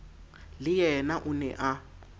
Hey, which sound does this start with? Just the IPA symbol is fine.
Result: l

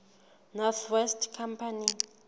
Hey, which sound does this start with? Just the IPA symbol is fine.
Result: n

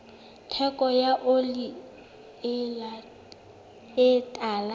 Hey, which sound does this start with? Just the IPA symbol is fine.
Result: tʰ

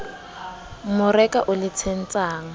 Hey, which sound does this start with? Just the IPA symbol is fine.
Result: m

